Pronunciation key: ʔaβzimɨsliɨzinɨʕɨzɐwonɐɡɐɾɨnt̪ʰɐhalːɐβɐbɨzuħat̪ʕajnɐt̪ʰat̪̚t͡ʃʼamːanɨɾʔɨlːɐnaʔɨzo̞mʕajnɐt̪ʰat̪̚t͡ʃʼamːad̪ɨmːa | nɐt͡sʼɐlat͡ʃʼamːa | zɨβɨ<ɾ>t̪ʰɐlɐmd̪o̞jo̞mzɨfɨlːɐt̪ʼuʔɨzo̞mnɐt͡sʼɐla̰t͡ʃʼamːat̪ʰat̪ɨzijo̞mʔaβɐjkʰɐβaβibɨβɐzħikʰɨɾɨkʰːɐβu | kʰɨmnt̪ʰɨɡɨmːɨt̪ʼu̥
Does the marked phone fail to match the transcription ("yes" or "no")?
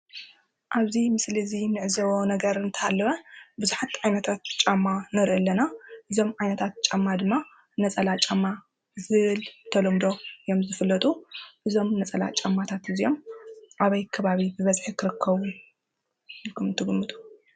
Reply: yes